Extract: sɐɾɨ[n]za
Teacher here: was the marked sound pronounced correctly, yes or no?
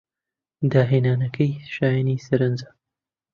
yes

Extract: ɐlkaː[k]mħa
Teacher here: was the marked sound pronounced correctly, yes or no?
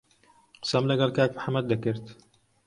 yes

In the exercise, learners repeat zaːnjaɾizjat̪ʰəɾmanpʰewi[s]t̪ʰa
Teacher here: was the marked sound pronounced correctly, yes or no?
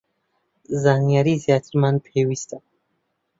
yes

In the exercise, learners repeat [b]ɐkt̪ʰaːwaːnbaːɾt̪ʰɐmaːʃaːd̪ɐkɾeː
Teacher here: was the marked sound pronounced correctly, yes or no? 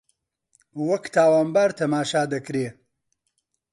no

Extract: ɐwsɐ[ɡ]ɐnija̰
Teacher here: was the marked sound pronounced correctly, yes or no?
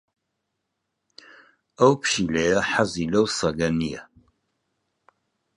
yes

